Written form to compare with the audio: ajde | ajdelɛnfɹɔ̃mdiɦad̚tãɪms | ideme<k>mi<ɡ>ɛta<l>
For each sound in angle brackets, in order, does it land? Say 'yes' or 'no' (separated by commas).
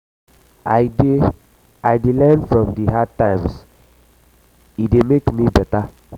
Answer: yes, no, no